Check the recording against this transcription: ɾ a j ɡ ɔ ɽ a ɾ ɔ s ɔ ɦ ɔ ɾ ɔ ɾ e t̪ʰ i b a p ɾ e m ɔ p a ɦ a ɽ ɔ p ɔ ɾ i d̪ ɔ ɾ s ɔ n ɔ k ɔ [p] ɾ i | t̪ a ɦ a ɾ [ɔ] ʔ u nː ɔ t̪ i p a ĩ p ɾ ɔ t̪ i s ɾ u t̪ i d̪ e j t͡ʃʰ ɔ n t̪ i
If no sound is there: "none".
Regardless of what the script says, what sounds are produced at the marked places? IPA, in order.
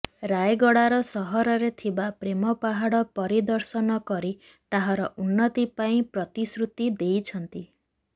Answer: none, ɔ

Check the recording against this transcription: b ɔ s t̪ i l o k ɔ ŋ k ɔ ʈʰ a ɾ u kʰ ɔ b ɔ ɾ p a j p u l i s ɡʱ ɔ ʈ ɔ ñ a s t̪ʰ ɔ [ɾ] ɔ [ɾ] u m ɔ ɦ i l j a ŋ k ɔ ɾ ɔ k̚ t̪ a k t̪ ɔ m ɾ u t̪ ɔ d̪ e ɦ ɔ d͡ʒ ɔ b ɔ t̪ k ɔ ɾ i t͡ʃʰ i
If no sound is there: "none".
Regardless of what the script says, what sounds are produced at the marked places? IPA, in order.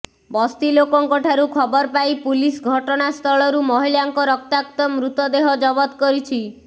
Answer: ɭ, ɾ

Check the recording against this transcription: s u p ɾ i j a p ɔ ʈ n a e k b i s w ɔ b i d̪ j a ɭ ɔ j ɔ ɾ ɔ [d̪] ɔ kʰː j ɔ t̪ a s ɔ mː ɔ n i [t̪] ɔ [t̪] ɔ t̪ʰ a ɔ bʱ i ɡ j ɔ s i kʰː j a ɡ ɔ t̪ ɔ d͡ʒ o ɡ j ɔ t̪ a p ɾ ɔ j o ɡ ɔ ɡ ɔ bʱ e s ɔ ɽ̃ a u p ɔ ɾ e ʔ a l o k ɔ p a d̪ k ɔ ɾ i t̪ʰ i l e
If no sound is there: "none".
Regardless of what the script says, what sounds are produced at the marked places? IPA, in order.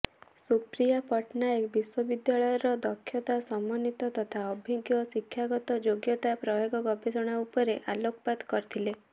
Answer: d̪, t̪, t̪

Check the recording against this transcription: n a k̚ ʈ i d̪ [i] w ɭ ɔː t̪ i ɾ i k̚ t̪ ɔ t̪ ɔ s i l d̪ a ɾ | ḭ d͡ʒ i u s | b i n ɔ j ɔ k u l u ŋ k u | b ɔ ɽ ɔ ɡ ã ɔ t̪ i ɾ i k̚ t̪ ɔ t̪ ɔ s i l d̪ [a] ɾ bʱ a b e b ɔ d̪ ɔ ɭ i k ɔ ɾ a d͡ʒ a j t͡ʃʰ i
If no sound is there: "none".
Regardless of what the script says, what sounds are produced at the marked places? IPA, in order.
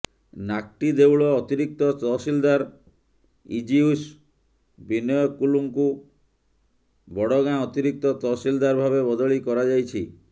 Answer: e, a

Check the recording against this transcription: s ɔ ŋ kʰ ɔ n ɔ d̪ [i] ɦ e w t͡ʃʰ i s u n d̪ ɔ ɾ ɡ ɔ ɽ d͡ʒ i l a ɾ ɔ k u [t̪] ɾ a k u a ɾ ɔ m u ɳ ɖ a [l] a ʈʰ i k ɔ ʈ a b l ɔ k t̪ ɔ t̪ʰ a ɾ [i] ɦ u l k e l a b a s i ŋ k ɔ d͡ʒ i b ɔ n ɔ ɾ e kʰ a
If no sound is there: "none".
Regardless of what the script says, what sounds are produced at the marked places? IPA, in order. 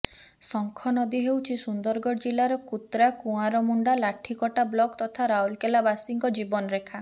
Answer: i, t̪, l, a

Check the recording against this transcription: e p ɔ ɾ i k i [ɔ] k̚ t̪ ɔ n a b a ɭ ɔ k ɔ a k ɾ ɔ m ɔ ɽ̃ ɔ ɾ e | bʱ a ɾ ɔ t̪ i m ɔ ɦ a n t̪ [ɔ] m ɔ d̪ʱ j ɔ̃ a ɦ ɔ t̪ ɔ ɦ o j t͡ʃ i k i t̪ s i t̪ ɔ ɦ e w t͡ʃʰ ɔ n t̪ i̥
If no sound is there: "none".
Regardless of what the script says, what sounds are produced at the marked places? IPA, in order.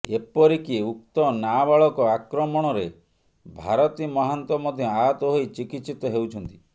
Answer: u, ɔ

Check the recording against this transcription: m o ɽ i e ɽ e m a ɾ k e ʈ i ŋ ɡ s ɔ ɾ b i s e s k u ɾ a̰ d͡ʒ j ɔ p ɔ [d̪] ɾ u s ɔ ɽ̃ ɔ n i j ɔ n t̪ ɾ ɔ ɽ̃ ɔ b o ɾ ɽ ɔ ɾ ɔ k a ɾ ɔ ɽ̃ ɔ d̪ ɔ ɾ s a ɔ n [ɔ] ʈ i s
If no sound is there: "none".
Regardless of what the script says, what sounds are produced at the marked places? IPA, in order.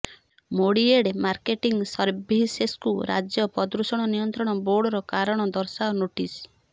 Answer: d̪, o

